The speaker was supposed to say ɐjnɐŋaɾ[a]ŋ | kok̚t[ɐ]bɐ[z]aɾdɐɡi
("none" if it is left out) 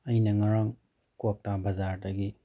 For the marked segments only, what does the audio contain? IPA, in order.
a, a, z

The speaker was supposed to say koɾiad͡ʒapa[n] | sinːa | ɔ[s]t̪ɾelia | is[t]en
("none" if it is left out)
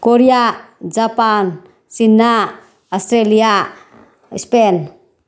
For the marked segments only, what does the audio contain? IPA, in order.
n, s, p

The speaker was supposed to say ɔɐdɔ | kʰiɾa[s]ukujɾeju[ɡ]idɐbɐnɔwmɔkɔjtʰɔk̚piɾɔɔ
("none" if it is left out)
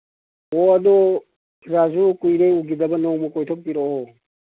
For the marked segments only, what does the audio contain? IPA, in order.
z, ɡ

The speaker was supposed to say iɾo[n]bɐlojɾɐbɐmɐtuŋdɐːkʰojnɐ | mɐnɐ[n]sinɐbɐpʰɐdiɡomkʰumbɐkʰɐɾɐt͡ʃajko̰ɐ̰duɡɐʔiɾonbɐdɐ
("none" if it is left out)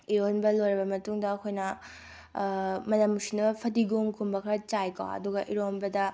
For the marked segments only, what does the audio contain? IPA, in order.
n, m

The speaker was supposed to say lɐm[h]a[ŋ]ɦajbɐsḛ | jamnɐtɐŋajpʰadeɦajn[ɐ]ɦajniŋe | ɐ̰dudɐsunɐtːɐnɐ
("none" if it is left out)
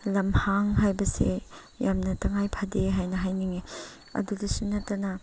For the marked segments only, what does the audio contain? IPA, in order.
h, ŋ, ɐ

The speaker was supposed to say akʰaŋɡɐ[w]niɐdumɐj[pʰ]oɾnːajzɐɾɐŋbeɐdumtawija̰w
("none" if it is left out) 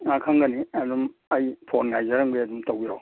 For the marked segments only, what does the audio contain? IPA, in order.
none, pʰ

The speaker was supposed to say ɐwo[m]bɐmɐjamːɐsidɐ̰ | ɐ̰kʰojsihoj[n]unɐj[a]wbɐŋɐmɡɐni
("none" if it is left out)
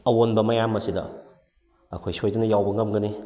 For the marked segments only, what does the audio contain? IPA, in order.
n, d, a

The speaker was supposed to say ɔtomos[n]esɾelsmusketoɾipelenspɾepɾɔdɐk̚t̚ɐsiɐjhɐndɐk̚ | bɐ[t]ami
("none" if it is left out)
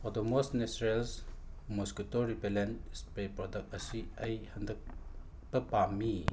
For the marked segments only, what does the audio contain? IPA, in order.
n, p

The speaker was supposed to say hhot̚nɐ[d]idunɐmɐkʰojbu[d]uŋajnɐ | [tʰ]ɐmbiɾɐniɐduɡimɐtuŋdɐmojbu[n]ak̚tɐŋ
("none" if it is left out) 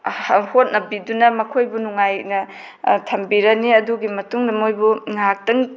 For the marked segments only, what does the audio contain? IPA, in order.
b, n, tʰ, ŋ

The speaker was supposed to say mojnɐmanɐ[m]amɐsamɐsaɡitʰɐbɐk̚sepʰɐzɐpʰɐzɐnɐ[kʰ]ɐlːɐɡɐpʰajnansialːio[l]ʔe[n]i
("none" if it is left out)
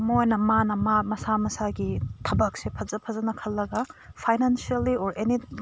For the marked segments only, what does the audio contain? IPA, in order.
m, kʰ, ɾ, n

